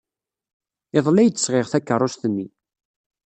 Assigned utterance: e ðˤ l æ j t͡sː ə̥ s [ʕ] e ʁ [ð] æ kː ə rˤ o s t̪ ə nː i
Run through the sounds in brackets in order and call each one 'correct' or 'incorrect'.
incorrect: ʁ, incorrect: θ

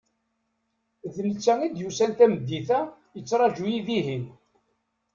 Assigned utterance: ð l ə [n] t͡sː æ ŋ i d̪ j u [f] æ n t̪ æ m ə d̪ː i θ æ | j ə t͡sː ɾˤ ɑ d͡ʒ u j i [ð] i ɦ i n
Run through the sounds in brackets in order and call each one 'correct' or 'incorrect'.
incorrect: none, incorrect: s, correct

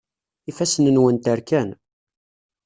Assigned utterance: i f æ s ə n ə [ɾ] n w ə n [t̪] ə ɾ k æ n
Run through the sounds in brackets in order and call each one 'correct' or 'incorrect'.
incorrect: none, correct

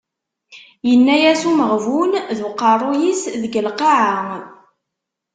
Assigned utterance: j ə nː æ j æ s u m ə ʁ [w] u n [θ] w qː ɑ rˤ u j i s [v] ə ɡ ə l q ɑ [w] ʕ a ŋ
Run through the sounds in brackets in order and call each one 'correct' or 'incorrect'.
incorrect: v, incorrect: ð, incorrect: ð, incorrect: none

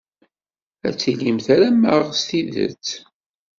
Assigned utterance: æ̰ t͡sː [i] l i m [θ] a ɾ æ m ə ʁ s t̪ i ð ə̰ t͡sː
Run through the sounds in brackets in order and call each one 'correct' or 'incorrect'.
correct, correct

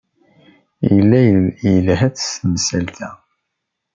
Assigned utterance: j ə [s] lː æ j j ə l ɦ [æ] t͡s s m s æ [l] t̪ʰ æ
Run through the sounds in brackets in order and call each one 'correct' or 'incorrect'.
incorrect: none, correct, correct

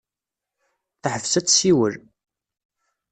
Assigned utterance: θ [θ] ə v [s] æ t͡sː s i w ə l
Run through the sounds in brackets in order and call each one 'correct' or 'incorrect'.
incorrect: ħ, correct

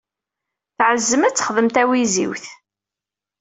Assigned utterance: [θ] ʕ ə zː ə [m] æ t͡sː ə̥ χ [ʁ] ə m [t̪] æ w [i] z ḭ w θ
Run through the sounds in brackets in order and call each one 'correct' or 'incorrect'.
correct, correct, incorrect: ð, correct, correct

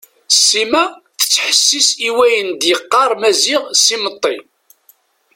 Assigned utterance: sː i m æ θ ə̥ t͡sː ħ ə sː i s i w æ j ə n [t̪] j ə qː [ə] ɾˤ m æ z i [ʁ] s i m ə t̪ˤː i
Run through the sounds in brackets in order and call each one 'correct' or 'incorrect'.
incorrect: d̪, incorrect: ɑ, correct

